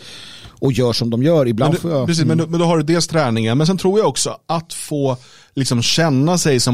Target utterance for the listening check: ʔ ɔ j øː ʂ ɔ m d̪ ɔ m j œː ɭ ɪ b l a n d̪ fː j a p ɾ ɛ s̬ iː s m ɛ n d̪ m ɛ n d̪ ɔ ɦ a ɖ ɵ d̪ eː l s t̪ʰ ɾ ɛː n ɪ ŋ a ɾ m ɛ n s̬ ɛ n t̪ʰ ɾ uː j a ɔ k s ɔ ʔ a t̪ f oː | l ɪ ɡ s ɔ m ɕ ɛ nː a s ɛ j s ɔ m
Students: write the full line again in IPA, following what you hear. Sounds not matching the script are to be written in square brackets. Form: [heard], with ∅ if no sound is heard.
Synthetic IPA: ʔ ɔ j [œː] ʂ ɔ m d̪ ɔ m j œː [ɾ] ɪ b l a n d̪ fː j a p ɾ ɛ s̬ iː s m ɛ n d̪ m ɛ n d̪ ɔ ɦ a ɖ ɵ d̪ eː l s t̪ʰ ɾ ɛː n ɪ ŋ a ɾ m ɛ n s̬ ɛ n t̪ʰ ɾ uː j a ɔ k s ɔ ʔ a t̪ f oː | l ɪ [k] s ɔ m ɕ ɛ nː a s ɛ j s ɔ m